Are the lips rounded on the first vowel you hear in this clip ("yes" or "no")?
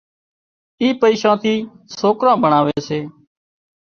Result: no